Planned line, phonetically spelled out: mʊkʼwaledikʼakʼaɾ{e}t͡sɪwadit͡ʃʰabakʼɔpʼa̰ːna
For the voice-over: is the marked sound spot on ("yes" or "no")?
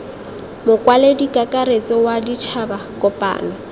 yes